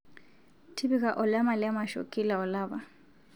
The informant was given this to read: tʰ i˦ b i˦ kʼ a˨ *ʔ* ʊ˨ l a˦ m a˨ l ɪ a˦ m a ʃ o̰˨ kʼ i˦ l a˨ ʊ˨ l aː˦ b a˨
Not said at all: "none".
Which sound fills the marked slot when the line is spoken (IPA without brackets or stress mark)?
ʔ